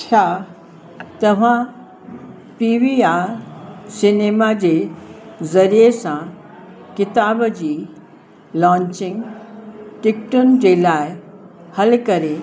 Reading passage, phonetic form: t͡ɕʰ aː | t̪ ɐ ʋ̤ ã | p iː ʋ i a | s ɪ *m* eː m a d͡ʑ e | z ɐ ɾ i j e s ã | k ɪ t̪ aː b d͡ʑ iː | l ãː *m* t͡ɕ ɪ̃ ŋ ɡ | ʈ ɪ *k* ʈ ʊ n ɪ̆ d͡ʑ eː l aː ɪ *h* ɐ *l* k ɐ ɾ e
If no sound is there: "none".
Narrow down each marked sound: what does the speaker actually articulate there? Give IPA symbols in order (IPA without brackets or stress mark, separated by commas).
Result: n, ɲ, k, h, l